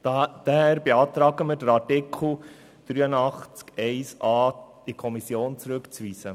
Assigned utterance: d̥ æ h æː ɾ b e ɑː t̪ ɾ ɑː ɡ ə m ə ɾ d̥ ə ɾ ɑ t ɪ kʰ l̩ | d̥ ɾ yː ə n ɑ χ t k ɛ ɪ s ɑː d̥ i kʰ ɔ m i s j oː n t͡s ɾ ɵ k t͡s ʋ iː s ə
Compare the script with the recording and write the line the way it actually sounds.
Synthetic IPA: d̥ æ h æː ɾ b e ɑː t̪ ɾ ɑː ɡ ə m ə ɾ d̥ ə ɾ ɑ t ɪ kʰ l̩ | d̥ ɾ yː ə n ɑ χ t͡s k ɛ ɪ s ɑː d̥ i kʰ ɔ m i s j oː n t͡s ɾ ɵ k t͡s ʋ iː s ə

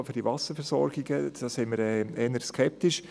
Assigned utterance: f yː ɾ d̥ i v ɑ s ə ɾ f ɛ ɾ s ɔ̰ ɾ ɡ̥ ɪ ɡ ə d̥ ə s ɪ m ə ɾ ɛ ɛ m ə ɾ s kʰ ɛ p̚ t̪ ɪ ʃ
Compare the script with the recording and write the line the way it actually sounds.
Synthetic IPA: f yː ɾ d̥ i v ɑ s ə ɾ f ɛ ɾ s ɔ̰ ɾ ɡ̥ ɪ ɡ ə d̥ ɑ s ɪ m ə ɾ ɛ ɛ n ə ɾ s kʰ ɛ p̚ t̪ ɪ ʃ

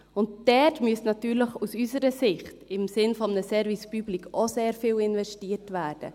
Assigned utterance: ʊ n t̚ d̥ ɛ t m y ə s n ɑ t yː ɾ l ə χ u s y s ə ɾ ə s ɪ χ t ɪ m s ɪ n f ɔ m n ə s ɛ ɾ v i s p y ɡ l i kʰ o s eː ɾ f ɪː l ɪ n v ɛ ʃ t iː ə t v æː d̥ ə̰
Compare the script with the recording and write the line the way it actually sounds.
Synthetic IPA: ʊ n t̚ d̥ ɛ t m y ə s n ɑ t yː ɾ l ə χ u s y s ə ɾ ə s ɪ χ t ɪ m s ɪ n f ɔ m n ə s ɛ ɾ v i s p y b l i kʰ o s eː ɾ f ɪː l ɪ n v ɛ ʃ t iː ə t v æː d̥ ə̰

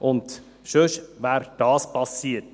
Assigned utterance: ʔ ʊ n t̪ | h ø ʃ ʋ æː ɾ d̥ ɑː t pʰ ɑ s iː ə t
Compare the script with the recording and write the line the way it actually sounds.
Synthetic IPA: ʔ ʊ n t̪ | ʃ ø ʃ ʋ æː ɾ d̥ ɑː s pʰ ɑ s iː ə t

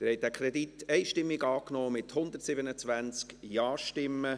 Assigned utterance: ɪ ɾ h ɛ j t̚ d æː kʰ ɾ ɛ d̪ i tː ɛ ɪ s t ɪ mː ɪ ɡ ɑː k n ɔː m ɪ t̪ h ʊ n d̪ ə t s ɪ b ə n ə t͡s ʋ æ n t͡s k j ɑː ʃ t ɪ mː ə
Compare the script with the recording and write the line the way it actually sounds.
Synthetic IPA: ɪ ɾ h ɛ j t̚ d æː kʰ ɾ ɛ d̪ i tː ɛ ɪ ʃ t ɪ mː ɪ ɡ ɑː k n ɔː m ɪ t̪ h ʊ n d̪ ə t s ɪ b ə n ə t͡s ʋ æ n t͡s k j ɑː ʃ t ɪ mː ə

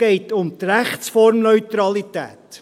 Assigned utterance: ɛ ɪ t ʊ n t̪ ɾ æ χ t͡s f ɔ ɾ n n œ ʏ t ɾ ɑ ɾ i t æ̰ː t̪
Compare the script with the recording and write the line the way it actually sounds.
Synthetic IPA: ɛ ɪ t ʊ m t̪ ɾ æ χ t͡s f ɔ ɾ m n œ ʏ t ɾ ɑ l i t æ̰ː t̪

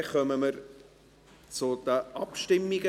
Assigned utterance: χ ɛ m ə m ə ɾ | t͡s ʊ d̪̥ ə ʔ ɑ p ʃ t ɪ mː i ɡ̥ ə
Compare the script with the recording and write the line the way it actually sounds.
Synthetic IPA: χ œ m ə m ə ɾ | t͡s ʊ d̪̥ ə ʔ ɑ p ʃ t ɪ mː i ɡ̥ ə

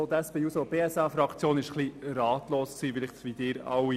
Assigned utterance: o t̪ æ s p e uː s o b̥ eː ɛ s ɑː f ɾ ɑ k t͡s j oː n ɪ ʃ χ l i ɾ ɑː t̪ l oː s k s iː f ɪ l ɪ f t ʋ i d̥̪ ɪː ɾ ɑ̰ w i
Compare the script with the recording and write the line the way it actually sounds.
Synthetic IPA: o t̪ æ s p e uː s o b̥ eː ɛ s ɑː f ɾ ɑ k t͡s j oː n ɪ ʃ χ l i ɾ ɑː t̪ l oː s k s iː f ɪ l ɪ χ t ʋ i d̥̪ ɪː ɾ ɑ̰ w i

